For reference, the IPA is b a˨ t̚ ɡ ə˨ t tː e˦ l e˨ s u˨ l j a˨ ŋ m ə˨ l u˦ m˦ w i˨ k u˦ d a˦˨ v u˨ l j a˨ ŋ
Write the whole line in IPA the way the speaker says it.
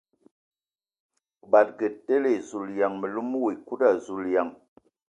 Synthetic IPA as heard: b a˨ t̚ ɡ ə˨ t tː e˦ l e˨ z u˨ l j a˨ ŋ m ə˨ l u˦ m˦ w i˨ k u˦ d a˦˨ z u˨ l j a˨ ŋ

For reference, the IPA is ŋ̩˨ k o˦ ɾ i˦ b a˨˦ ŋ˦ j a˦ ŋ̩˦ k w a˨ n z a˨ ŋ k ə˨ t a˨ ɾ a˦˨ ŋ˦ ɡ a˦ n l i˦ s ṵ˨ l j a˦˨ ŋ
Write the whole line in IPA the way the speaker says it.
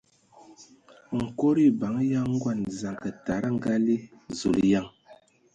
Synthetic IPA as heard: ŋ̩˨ k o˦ ɾ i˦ b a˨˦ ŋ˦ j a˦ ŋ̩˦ ɡ w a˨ n z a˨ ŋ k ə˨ t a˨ ɾ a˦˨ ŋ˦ ɡ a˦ l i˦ z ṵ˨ l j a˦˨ ŋ

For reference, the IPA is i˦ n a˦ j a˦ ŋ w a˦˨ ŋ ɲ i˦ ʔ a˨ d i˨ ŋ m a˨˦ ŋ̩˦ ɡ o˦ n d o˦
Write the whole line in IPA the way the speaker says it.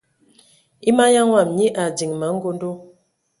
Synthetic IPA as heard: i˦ m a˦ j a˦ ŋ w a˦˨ m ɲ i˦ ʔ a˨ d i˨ ŋ m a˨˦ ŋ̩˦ ɡ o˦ n d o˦

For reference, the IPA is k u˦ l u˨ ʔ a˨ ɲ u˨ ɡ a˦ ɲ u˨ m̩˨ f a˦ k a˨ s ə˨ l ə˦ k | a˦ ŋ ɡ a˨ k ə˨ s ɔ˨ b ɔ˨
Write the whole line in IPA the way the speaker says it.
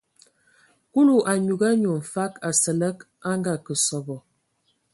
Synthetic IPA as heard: k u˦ l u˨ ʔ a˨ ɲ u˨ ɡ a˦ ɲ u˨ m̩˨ f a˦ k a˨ s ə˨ l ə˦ k | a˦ ŋ ɡ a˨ k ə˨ s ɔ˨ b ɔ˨

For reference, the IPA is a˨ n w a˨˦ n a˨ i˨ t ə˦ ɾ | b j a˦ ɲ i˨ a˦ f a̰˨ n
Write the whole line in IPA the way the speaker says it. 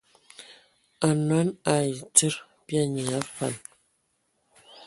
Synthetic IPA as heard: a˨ n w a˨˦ n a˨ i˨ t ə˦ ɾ | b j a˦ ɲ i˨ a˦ f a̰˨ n

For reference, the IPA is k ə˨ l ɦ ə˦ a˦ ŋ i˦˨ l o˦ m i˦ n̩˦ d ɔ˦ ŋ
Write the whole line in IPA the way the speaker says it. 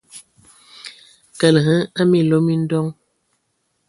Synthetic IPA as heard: k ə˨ l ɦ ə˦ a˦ m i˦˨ l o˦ m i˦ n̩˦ d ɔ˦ ŋ

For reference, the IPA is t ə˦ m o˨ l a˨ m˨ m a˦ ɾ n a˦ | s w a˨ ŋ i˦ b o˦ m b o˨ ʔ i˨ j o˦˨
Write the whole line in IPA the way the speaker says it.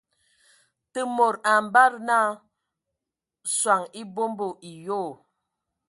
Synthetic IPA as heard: t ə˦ m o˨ ɾ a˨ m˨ b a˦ ɾ n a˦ | s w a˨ ŋ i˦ b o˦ m b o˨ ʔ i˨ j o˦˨

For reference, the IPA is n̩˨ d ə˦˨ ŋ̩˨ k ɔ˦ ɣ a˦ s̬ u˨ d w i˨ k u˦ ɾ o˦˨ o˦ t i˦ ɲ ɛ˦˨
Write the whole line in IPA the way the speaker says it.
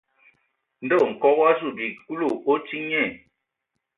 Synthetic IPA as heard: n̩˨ d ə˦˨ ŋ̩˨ k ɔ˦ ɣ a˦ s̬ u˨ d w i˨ k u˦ l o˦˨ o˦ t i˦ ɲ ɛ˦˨

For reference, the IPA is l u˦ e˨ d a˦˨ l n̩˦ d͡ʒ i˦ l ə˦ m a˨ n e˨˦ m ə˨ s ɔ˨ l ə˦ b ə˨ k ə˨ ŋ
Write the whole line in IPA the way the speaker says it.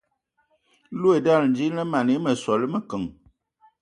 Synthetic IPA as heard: l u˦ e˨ d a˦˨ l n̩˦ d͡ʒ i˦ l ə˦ m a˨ n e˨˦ m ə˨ s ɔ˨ l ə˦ m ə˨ k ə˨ ŋ

